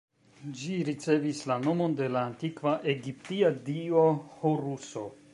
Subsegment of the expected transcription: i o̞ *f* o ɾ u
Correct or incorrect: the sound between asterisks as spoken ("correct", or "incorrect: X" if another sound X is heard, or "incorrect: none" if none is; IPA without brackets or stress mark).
incorrect: h